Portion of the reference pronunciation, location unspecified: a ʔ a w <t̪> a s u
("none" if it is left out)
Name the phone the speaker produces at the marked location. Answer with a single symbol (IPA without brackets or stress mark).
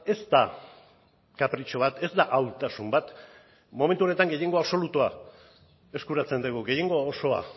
t̪